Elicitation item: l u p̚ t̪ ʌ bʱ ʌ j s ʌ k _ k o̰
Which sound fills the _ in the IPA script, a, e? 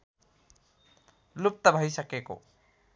e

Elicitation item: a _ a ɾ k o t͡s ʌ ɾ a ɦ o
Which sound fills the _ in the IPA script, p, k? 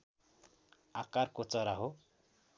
k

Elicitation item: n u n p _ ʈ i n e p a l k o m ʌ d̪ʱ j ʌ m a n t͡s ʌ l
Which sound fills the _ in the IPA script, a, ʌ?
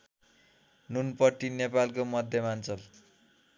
ʌ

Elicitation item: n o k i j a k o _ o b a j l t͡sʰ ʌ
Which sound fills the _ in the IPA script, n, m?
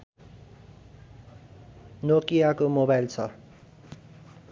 m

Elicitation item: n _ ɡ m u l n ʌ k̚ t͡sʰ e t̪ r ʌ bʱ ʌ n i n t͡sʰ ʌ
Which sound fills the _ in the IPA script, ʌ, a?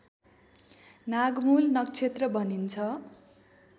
a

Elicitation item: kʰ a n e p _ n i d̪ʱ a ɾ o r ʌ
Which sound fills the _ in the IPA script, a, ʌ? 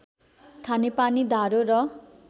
a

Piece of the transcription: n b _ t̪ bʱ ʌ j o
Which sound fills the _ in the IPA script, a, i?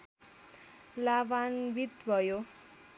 i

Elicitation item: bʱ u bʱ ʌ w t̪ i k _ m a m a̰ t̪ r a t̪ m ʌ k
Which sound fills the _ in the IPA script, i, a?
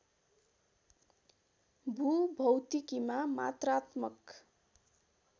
i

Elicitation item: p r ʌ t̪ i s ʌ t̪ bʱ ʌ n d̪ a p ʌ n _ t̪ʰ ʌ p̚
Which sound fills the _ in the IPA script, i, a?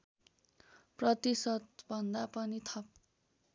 i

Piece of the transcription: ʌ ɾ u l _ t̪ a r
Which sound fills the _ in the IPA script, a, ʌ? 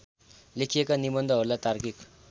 a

